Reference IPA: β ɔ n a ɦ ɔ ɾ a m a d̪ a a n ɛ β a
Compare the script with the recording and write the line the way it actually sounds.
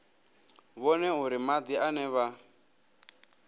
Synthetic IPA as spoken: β ɔ n ɛ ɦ u ɾ i m a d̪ i a n ɛ β a